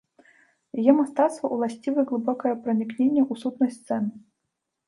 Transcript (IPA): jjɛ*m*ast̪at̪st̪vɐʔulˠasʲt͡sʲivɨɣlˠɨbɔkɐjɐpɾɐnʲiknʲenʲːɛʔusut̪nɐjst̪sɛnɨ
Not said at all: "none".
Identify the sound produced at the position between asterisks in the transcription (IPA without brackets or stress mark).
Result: m